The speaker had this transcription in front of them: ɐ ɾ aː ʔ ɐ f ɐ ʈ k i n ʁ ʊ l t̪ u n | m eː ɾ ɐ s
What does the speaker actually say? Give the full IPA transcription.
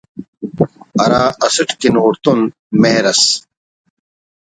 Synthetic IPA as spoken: ɐ ɾ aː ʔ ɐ s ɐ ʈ k i n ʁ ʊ ɾ t̪ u n | m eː ɾ ɐ s